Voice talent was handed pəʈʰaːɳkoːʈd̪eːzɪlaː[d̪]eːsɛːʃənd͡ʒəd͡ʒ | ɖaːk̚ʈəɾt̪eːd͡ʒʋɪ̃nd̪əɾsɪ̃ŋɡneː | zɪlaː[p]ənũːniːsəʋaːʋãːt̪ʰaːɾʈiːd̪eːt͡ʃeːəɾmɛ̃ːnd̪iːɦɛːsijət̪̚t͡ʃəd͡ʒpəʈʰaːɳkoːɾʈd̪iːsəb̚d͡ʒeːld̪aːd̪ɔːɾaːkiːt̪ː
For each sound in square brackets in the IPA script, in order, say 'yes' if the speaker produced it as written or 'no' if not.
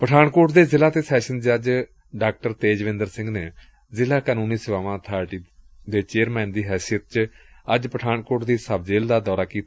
no, no

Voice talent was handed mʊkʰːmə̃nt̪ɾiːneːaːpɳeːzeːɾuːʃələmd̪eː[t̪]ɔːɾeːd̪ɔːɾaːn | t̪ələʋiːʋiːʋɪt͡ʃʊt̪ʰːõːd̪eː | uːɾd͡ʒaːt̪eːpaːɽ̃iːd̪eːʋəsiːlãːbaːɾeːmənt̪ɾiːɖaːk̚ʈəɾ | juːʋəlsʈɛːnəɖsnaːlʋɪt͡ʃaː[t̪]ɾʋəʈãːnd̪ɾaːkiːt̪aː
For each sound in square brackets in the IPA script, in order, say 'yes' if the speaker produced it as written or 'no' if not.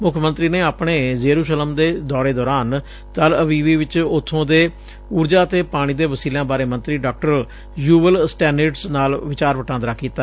no, no

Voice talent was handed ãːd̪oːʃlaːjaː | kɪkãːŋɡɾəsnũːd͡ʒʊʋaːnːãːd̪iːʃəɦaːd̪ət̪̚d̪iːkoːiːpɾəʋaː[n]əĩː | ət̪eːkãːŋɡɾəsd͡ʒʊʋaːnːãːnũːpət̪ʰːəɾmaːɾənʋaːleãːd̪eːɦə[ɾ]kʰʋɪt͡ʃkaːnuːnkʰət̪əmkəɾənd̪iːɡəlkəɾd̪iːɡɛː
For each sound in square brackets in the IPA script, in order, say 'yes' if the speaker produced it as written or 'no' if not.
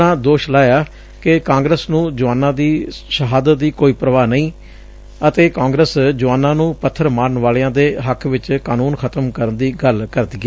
yes, no

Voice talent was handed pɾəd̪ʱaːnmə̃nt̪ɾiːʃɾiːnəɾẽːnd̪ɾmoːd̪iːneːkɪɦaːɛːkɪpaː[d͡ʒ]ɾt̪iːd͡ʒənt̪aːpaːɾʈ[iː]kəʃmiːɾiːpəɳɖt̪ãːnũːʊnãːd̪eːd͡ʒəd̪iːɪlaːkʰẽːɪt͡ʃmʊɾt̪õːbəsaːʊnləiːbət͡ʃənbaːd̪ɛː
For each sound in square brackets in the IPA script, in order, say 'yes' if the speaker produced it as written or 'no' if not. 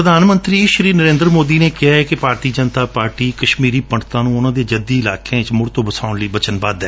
no, yes

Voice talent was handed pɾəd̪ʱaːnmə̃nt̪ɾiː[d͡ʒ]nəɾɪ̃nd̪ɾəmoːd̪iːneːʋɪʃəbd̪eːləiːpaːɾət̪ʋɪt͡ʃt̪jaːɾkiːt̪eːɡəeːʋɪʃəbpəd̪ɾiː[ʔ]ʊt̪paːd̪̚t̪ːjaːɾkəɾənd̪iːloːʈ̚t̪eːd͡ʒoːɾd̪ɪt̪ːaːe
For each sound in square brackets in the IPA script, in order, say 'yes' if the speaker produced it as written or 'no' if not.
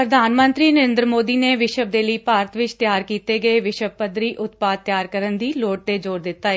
no, yes

